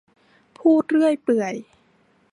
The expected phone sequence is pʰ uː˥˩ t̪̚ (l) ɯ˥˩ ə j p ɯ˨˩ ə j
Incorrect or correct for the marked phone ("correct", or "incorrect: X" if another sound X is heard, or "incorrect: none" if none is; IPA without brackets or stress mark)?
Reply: incorrect: ɾ